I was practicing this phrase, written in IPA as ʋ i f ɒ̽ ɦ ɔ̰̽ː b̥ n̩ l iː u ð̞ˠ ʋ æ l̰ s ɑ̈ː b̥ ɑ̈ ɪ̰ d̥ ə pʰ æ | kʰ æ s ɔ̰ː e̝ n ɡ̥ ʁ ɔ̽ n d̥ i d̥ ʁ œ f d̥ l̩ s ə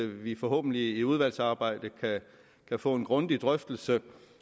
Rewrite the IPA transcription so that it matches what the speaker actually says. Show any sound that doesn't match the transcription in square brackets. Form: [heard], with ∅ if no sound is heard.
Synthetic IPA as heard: ʋ i f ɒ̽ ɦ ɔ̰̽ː b̥ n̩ l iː u ð̞ˠ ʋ æ l̰ s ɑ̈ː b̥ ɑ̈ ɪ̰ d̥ ə [kʰ] æ | kʰ æ [f] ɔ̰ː e̝ n ɡ̥ ʁ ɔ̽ n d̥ i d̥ ʁ œ f d̥ l̩ s ə